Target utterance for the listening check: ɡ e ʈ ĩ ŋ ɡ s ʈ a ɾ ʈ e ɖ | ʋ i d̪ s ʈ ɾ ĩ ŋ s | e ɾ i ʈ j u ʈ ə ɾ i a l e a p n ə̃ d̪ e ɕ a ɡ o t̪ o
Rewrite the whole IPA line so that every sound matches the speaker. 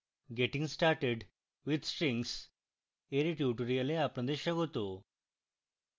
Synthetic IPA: ɡ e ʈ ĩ ŋ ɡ s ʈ a ɾ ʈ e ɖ | ʋ i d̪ s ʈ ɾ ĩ ŋ s | e ɾ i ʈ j u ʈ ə ɾ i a l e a p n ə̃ d̪ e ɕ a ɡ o t̪ o